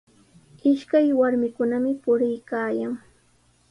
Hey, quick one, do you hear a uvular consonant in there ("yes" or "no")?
no